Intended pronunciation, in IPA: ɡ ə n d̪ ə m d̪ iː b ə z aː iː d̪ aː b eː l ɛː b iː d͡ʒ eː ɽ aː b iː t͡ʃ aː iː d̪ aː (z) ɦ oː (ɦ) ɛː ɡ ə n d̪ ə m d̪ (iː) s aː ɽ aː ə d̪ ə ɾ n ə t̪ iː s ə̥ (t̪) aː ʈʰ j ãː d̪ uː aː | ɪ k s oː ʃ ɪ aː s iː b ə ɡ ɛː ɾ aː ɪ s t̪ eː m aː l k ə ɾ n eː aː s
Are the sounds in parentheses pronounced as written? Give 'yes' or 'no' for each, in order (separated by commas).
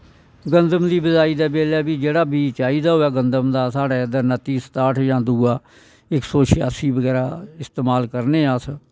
no, no, no, yes